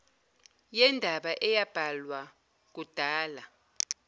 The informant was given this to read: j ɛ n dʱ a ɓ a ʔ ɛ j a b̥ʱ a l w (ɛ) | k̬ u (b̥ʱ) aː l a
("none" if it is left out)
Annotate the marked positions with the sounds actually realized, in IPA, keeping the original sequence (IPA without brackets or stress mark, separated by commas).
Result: a, d̥ʱ